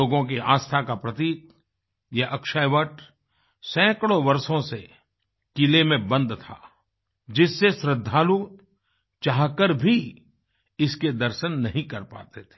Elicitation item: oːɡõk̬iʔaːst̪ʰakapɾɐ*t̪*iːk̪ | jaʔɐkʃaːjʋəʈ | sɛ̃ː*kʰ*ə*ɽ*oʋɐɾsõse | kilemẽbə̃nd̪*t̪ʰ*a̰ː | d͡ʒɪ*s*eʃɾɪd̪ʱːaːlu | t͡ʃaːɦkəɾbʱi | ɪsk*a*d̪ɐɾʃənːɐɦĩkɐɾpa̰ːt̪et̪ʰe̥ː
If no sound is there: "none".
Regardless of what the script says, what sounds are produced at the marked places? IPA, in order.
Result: t̪, k, ɽ, t̪ʰ, sː, e

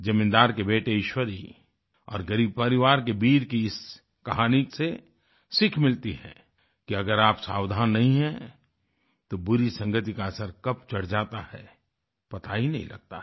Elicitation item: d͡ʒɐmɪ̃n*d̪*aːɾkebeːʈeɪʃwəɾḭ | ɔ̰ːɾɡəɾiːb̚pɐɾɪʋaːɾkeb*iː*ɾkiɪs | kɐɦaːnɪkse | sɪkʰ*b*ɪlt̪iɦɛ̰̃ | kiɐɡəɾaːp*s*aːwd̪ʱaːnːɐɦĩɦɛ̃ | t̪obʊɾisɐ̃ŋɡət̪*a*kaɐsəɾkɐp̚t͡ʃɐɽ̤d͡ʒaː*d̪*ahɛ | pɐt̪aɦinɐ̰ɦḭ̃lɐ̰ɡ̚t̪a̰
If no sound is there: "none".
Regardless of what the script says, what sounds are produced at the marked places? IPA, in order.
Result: d̪, iː, m, s, i, t̪

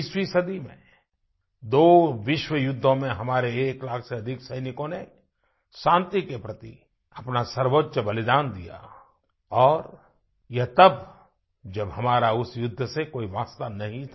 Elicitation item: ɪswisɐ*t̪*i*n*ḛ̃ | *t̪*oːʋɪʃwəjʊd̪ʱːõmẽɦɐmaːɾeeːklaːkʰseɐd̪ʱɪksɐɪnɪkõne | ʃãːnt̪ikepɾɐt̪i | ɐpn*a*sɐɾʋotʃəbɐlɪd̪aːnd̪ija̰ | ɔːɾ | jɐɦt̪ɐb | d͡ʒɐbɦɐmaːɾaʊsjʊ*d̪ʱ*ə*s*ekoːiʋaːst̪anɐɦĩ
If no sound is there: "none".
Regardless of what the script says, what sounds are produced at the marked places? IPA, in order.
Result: d̪, m, d̪, a, d̪ʱː, s

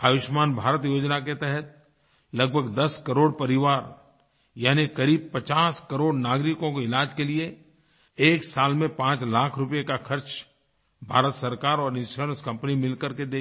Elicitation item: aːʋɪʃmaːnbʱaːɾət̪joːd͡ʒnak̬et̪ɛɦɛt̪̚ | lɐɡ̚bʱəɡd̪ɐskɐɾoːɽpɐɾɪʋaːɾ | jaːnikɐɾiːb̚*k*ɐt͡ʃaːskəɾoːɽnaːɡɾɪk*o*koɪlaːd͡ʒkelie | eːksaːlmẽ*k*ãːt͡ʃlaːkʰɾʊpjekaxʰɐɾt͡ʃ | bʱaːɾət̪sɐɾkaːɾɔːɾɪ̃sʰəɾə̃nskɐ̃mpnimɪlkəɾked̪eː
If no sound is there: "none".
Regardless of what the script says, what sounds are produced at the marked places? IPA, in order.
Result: p, õ, p

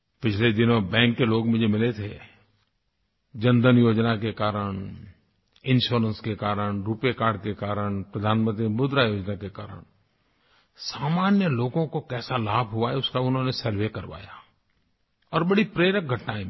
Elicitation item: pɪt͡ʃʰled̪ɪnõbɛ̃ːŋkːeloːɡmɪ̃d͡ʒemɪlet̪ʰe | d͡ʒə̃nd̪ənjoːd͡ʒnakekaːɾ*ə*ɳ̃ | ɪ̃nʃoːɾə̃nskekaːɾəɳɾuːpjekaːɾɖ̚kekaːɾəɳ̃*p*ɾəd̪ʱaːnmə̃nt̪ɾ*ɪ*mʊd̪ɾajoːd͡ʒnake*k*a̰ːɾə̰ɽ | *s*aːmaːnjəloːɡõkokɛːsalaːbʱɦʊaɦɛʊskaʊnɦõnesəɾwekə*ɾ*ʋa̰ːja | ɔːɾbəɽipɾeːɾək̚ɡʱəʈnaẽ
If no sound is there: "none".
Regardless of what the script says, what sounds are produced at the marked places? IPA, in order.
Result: ə, p, i, k, s, ɾ

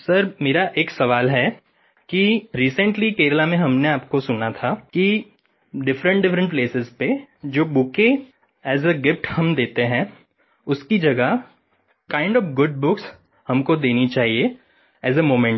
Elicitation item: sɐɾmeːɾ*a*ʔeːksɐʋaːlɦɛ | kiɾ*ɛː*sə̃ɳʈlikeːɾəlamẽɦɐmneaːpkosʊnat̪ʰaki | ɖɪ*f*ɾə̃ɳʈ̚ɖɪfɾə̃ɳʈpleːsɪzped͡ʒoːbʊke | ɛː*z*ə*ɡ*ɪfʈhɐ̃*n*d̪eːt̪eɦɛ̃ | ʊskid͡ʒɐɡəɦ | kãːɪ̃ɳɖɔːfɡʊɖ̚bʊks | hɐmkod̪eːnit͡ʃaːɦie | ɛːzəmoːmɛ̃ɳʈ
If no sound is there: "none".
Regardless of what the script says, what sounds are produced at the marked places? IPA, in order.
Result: a, iː, f, z, ɡ, m

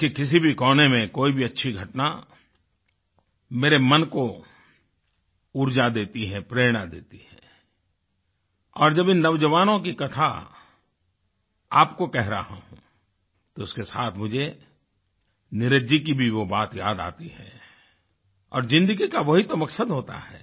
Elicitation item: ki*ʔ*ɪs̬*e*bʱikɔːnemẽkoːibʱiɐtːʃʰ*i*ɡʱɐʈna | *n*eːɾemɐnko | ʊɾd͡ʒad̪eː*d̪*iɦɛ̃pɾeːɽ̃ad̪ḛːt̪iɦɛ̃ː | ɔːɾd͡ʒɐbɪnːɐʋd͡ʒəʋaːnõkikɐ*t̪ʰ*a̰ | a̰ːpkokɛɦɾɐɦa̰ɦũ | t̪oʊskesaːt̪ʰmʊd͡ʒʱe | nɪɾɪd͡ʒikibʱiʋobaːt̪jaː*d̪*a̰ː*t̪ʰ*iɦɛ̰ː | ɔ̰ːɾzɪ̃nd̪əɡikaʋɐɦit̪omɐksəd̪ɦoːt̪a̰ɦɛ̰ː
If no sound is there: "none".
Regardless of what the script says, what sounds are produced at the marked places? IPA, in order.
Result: k, i, i, m, t̪, t̪ʰ, d̪, t̪

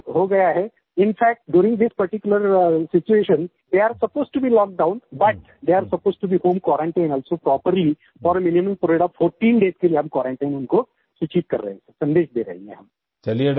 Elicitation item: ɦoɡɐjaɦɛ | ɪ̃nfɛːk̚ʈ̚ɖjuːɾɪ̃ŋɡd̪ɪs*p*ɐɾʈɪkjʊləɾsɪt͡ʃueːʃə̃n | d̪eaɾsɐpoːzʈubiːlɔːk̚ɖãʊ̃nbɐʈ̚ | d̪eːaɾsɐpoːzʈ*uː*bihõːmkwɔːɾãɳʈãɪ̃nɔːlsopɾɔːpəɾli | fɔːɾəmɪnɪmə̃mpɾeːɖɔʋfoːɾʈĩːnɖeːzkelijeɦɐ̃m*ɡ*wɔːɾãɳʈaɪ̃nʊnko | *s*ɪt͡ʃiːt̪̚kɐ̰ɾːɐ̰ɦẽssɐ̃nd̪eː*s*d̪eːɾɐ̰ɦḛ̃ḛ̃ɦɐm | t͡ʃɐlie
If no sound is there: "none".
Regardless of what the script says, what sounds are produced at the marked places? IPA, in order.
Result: p, u, k, s, ʃ

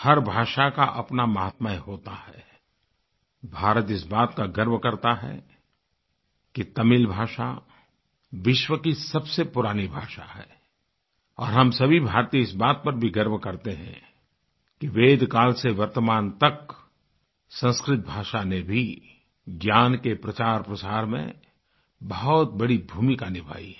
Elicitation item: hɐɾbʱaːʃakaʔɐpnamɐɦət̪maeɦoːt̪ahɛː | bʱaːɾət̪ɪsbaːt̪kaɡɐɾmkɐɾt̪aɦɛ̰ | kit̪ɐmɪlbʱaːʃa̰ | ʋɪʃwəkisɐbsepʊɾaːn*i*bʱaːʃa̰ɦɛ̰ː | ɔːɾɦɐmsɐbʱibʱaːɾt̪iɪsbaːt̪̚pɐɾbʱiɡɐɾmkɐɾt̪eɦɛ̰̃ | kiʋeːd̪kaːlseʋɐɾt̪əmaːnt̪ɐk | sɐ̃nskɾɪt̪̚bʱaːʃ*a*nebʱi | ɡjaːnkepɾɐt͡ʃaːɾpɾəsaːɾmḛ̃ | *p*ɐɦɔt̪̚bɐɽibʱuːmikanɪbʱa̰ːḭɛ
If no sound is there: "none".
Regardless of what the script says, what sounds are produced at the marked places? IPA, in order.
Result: i, a, b

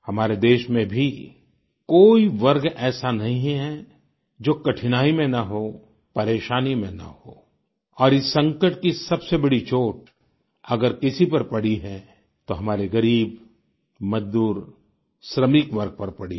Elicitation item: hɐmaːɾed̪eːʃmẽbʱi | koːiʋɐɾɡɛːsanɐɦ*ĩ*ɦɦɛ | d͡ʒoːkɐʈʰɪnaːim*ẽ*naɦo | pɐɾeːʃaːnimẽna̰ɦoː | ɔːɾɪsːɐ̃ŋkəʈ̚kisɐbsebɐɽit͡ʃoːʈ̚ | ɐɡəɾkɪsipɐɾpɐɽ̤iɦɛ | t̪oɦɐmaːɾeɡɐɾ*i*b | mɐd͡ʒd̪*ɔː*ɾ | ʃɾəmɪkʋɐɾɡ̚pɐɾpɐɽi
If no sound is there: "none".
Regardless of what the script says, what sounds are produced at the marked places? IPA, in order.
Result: ĩ, ẽ, iː, uː

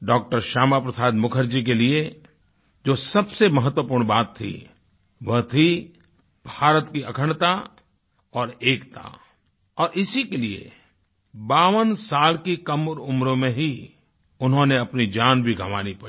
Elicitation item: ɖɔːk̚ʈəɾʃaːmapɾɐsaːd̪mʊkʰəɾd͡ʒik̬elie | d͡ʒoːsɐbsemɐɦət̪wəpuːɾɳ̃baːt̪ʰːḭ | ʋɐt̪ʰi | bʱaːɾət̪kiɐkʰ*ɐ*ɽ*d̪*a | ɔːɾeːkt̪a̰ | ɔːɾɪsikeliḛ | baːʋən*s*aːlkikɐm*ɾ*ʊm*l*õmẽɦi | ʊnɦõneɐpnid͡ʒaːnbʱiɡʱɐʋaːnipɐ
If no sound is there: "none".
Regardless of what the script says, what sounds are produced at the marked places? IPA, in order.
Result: ə, t̪, s, ɾ, ɾ

